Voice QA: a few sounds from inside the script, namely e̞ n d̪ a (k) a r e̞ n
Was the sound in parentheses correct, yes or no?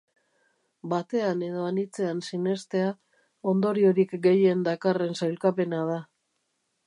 yes